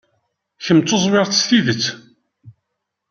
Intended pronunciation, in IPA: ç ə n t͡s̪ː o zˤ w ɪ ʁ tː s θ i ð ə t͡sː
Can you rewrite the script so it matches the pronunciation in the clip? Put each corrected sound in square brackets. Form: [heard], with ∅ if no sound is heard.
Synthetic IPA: ç ə [m] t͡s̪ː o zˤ w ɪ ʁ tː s θ i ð ə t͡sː